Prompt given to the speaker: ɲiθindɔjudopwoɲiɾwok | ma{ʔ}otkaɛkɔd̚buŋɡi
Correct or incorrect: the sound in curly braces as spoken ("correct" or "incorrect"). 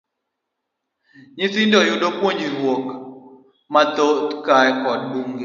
incorrect